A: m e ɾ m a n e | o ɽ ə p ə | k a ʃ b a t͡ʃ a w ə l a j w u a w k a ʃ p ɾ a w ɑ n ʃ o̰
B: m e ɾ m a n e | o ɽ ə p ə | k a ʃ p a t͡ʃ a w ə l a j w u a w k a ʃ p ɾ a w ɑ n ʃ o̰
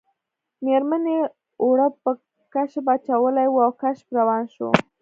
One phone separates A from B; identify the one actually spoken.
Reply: A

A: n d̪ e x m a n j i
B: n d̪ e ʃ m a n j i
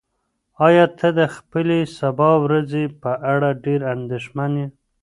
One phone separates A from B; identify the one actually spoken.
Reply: B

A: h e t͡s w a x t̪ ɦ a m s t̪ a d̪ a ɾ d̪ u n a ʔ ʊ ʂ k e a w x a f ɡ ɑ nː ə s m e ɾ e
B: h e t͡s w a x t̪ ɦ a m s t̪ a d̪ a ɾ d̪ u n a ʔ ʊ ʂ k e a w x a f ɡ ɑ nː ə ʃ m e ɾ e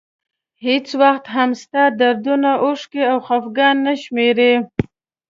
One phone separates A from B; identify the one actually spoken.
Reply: B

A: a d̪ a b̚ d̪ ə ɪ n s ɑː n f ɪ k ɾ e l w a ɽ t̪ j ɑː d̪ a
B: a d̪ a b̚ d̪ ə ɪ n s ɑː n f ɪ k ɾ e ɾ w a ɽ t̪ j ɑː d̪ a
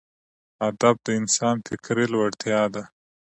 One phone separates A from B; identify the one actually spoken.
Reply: A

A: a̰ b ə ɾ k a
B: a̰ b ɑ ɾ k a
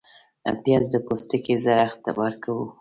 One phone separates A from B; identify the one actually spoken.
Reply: B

